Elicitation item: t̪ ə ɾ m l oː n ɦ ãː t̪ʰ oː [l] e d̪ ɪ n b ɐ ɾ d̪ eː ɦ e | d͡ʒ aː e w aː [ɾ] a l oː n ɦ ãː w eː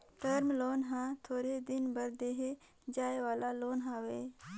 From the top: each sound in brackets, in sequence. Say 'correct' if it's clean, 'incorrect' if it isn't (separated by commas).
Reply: incorrect, incorrect